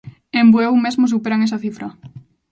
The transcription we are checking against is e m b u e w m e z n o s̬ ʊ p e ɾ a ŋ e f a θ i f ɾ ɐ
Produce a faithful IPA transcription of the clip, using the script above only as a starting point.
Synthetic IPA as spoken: e m b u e w m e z m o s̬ u p e ɾ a ŋ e s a θ i f ɾ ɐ

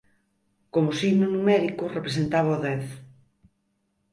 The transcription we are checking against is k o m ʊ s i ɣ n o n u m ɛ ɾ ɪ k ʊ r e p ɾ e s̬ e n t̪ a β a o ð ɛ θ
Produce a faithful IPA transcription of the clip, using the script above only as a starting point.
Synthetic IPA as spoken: k o m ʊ s i ɣ n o n u m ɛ ɾ i k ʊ r e p ɾ e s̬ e n t̪ a β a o ð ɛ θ

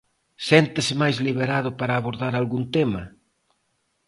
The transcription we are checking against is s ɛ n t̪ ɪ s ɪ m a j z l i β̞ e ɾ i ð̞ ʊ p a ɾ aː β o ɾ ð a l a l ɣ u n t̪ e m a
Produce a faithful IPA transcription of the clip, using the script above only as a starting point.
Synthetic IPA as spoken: s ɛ n t̪ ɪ s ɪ m a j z l i β̞ e ɾ a ð̞ ʊ p a ɾ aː β o ɾ ð a ɾ a l ɣ u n t̪ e m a

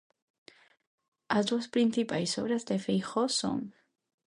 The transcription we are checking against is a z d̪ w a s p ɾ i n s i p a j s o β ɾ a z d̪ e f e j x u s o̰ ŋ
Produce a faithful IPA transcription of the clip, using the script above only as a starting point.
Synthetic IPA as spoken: a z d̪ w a s p ɾ i n θ i p a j s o β ɾ a z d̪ e f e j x o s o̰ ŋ

